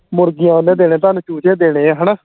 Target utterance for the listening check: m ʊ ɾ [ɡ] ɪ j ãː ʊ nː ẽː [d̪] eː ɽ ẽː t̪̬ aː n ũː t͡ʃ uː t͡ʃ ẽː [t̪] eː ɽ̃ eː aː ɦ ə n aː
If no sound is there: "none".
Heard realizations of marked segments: ɡ, d̪, d̪

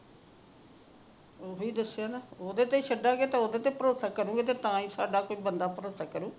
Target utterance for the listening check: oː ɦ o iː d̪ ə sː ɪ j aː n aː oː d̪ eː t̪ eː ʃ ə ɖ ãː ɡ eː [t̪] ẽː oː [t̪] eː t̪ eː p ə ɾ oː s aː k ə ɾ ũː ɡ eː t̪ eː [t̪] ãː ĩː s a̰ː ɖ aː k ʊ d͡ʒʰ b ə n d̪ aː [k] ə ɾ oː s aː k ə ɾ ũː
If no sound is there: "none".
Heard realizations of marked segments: t̪, d̪, t̪, p

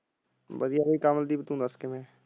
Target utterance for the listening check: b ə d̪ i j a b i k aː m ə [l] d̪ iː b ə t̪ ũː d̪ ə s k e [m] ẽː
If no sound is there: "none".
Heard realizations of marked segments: l, m

